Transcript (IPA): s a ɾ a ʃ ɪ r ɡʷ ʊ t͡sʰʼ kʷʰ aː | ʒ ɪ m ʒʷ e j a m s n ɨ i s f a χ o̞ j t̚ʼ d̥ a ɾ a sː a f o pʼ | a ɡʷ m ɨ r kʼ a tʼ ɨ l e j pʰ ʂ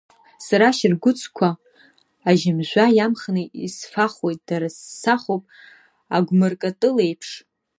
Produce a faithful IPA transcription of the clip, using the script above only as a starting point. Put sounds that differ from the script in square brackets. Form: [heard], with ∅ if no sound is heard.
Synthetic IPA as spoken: s a ɾ a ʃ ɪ r ɡʷ ʊ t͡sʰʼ kʷʰ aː | ʒ ɪ m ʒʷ [a] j a m [χ] n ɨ i s f a χ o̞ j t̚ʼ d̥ a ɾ a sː a [χ] o pʼ | a ɡʷ m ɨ r kʼ a tʼ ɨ l e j pʰ ʂ